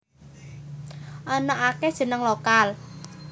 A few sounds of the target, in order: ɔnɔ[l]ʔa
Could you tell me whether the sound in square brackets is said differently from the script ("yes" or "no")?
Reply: yes